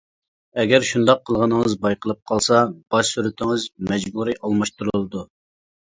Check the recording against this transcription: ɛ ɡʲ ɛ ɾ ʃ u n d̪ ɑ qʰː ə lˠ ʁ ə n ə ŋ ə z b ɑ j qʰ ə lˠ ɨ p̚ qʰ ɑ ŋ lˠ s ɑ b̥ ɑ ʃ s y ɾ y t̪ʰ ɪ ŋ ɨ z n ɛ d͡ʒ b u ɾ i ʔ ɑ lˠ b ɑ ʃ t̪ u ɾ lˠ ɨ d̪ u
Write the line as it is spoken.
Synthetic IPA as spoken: ɛ ɡʲ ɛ ɾ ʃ u n d̪ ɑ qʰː ə lˠ ʁ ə n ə ŋ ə z b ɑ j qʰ ə lˠ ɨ p̚ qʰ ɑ lˠ s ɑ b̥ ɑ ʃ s y ɾ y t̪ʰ ɪ ŋ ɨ z m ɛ d͡ʒ b u ɾ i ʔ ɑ lˠ m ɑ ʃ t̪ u ɾ lˠ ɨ d̪ u